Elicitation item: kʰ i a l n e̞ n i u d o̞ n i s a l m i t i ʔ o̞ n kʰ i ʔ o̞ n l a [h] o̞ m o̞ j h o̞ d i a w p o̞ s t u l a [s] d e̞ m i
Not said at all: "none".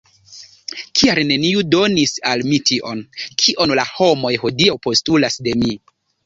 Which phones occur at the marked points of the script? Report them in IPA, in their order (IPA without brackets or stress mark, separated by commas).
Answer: h, s